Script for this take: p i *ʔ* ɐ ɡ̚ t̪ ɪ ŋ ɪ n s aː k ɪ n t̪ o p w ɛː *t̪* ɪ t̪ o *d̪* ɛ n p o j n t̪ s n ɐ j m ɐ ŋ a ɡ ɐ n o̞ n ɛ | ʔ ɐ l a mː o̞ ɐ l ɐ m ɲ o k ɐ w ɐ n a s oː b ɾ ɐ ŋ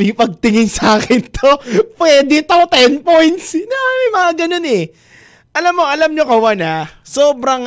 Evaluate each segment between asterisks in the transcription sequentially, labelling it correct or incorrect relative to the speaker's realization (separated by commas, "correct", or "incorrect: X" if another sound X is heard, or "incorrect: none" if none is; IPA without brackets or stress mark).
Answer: incorrect: p, incorrect: d̪, incorrect: t̪